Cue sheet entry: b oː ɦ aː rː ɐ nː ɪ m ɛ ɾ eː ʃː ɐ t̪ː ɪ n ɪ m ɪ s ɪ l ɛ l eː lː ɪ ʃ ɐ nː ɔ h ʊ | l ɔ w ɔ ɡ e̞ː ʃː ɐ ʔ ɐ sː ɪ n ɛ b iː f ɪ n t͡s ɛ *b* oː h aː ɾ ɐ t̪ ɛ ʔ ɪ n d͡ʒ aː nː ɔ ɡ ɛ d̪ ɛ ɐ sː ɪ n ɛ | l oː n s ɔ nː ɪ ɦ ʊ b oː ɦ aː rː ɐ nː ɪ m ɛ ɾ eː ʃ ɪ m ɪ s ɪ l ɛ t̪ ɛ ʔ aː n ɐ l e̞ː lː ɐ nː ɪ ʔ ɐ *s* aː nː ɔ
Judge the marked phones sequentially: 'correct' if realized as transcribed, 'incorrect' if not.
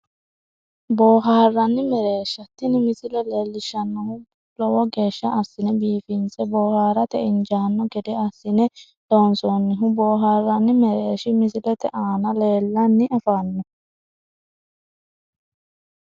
correct, incorrect

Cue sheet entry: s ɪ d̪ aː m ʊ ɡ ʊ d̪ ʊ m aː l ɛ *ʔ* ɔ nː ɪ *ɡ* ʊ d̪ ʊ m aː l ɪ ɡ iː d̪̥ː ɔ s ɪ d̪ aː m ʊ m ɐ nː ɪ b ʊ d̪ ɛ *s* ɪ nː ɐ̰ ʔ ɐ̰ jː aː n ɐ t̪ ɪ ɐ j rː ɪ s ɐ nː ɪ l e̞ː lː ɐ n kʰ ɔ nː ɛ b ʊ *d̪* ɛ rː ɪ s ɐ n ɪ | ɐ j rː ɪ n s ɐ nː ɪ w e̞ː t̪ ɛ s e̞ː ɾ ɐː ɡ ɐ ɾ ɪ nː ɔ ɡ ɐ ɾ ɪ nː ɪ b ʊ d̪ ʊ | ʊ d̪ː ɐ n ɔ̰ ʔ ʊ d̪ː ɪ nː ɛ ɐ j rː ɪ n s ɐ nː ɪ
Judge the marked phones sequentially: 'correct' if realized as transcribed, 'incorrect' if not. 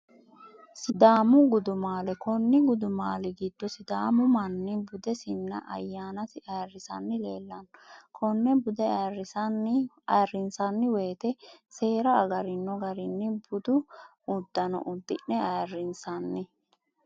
incorrect, correct, correct, correct

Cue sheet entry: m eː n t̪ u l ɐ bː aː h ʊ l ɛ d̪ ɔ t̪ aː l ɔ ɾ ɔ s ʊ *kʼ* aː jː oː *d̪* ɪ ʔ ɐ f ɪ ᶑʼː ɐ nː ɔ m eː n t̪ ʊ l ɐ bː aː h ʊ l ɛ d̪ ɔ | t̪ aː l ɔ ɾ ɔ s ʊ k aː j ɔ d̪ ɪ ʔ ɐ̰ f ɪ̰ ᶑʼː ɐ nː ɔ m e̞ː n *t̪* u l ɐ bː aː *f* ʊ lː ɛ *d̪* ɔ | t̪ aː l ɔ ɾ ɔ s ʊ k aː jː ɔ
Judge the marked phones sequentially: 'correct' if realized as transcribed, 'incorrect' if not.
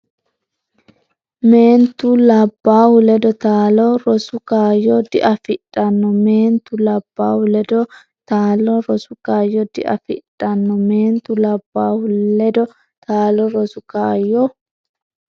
incorrect, correct, correct, incorrect, correct

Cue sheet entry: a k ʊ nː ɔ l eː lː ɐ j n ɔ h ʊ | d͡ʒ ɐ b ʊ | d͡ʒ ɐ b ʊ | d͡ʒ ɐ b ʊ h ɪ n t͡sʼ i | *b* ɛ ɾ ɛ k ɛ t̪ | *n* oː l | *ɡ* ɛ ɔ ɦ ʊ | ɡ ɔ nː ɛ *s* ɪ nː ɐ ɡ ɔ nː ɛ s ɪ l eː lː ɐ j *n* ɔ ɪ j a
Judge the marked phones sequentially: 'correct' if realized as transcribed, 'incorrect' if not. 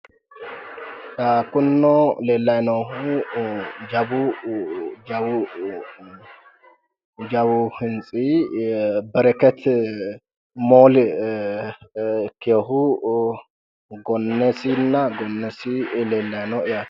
correct, incorrect, incorrect, correct, correct

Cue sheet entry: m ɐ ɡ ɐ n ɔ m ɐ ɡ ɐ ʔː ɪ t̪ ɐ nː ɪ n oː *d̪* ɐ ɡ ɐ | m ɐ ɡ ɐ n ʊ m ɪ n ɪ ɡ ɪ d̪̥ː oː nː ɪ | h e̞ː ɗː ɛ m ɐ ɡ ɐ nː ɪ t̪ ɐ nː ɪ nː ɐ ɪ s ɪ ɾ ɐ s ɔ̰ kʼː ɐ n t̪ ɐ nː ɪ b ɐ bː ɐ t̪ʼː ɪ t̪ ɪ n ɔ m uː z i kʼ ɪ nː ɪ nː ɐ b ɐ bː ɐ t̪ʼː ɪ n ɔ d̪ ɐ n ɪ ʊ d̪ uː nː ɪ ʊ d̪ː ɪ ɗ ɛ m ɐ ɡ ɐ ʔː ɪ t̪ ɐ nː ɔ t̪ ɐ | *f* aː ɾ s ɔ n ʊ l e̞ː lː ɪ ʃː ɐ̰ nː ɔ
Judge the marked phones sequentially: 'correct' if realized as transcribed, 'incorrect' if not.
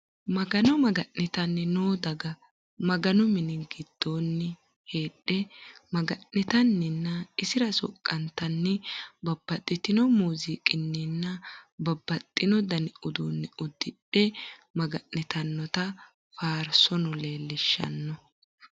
correct, correct

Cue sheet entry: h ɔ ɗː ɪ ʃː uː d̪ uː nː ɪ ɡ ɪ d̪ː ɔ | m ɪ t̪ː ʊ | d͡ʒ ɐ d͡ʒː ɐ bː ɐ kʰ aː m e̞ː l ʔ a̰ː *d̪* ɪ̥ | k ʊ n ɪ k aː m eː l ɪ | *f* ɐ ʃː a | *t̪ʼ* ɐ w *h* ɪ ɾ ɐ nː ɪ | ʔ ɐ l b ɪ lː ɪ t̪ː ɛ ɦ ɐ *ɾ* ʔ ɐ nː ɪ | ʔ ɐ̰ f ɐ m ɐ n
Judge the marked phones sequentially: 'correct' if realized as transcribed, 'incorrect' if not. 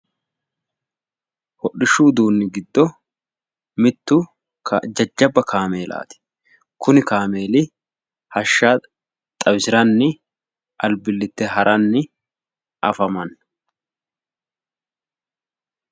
incorrect, incorrect, correct, incorrect, correct

